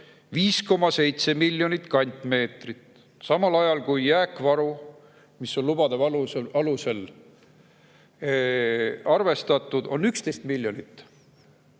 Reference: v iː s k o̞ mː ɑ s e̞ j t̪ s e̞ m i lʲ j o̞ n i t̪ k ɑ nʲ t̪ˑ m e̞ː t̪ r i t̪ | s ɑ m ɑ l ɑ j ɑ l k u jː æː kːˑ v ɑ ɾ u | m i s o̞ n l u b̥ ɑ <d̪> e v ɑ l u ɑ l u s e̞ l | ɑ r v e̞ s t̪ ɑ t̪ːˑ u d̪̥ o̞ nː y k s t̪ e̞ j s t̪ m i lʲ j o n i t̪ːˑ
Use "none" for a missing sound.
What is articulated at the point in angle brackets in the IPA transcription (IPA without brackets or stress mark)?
d̪